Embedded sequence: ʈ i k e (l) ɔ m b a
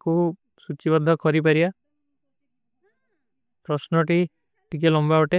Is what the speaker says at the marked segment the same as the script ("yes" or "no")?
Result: yes